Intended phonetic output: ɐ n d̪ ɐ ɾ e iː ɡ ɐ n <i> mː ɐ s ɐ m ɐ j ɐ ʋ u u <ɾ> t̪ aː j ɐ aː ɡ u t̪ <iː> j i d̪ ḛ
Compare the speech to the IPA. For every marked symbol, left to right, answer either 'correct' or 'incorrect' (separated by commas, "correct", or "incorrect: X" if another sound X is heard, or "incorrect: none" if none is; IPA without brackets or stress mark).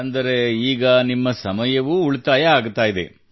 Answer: correct, incorrect: ɭ, incorrect: aː